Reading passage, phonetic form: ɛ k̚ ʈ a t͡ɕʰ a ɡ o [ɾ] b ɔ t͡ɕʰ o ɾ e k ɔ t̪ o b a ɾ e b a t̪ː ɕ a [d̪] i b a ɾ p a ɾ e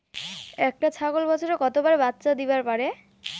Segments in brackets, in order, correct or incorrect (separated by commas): incorrect, correct